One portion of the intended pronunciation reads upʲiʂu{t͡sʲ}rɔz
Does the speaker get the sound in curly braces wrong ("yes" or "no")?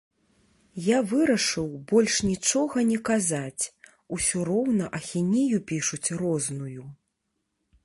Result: no